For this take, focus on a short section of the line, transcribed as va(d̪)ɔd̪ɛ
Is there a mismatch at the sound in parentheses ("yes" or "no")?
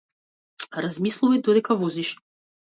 no